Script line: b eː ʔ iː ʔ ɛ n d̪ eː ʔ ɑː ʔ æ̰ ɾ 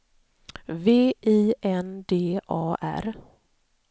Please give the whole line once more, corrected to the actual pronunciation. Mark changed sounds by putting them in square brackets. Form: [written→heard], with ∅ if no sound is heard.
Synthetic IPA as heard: [b→v] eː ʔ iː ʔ ɛ n d̪ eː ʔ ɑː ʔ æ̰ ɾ